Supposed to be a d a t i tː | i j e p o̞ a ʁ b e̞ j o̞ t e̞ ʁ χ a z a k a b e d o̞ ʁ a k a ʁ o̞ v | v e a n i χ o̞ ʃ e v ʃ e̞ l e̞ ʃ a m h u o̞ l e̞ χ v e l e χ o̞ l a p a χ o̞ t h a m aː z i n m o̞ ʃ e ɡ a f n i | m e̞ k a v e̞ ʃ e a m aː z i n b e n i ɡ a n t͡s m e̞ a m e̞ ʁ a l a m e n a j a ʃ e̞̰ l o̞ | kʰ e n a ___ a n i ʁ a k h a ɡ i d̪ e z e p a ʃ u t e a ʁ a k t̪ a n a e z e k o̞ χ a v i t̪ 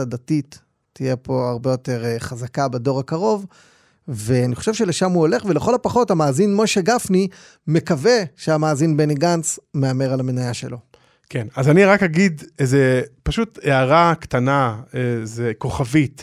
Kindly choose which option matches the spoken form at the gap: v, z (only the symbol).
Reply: z